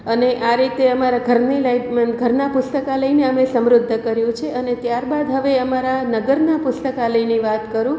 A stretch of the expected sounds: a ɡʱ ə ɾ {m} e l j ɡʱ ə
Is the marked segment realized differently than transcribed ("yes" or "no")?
yes